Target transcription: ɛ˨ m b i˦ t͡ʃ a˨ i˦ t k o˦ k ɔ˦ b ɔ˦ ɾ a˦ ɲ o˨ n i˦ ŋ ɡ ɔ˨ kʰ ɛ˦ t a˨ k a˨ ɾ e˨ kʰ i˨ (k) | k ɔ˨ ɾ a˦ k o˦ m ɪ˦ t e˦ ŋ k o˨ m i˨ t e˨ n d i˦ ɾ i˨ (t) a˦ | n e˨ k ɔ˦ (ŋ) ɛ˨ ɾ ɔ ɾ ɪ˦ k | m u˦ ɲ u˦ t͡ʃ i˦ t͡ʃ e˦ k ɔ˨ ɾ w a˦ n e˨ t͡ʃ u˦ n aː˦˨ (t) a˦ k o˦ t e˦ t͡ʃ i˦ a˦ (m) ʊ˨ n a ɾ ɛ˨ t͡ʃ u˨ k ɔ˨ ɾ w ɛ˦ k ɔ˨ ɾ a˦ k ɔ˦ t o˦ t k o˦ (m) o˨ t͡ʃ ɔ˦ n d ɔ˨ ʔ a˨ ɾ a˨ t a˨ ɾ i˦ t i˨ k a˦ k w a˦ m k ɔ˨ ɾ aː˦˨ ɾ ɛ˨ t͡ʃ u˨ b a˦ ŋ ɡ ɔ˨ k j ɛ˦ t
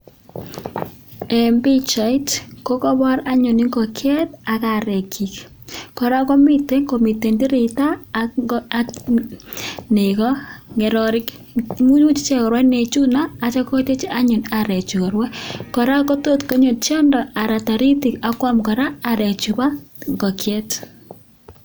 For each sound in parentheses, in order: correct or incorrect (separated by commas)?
correct, correct, correct, incorrect, incorrect, incorrect